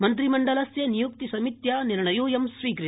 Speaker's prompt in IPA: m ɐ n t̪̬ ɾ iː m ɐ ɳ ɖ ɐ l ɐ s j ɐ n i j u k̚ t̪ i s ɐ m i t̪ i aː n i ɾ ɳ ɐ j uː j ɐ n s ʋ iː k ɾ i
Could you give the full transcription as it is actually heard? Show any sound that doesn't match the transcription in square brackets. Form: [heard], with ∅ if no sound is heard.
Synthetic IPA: m ɐ n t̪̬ ɾ [i] m ɐ ɳ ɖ ɐ l ɐ s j ɐ n i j u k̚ t̪ i s ɐ m i t̪ [j] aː n i ɾ ɳ ɐ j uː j ɐ [m] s ʋ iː k ɾ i